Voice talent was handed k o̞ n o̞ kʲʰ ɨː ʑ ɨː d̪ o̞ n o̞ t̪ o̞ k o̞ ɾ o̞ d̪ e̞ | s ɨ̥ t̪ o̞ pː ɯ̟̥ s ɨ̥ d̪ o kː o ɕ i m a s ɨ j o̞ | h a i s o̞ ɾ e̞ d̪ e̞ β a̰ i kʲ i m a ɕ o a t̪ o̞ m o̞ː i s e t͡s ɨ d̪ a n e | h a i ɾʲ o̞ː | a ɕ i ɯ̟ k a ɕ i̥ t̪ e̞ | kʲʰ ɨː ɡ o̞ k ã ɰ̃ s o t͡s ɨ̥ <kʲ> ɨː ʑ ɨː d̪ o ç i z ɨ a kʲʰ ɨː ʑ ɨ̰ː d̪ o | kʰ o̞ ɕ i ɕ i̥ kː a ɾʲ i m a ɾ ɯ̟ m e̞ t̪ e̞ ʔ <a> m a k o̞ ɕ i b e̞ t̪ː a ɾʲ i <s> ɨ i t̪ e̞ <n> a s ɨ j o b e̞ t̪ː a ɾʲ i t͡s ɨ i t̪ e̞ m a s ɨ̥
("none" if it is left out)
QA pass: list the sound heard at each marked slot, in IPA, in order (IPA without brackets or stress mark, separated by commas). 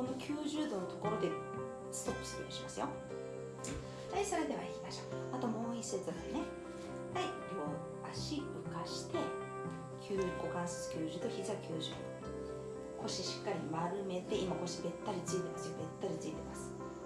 kʲ, i, t͡s, m